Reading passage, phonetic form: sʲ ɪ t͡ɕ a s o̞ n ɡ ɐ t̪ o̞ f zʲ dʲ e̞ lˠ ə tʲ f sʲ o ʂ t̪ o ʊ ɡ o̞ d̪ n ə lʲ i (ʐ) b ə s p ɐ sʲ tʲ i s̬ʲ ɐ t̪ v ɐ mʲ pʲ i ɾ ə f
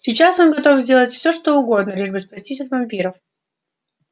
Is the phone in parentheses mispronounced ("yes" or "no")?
no